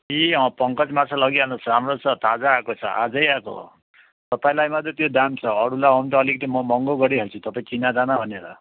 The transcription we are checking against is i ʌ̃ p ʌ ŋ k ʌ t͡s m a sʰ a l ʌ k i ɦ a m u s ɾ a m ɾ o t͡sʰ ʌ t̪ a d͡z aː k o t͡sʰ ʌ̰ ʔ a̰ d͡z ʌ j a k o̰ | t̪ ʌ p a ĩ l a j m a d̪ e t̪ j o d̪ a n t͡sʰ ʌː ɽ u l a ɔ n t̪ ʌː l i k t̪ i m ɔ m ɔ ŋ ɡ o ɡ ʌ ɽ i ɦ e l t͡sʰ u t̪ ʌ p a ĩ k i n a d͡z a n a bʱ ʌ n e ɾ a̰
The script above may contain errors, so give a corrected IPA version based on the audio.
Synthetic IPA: i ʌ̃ p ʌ ŋ k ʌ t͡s m a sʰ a l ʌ ɡ i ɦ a n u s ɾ a m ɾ o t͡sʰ ʌ t̪ a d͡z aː k o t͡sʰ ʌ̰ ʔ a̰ d͡z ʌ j a k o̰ | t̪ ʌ p a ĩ l a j m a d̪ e t̪ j o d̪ a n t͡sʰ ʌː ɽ u l a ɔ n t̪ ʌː l i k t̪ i m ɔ m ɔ ŋ ɡ o ɡ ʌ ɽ i ɦ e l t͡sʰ u t̪ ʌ p a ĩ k i n a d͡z a n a bʱ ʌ n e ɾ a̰